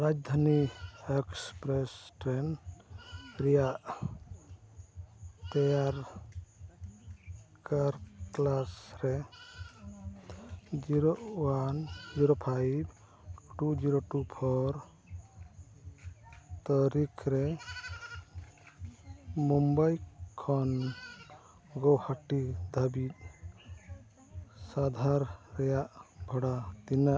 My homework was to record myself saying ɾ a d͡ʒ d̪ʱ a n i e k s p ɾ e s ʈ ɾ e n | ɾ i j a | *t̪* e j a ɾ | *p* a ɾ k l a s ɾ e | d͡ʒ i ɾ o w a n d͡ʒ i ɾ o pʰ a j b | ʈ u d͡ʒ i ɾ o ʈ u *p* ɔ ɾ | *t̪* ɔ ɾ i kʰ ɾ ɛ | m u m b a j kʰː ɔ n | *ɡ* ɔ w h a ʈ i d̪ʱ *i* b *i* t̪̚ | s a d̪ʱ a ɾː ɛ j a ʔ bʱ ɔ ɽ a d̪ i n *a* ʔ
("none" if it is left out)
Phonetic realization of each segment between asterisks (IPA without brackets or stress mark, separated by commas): t̪, k, pʰ, t̪, ɡ, a, i, a